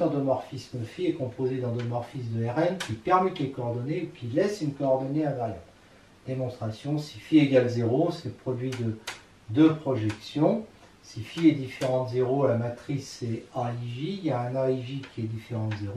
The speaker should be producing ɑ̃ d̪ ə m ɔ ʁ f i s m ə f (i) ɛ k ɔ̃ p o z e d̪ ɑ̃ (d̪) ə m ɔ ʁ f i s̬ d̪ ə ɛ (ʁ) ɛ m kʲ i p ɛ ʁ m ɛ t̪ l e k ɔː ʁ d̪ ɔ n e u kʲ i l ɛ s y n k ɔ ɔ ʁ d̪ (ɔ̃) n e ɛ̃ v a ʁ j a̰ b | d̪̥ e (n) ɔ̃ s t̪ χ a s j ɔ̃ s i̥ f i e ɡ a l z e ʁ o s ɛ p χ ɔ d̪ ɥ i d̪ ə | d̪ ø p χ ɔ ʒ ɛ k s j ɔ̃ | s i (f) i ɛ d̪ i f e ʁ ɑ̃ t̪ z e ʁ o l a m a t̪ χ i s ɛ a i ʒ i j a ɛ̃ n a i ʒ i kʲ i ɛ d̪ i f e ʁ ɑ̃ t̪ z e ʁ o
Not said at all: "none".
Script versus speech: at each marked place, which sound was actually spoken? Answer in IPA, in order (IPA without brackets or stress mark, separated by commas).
i, d̪, ʁ, ɔ, m, f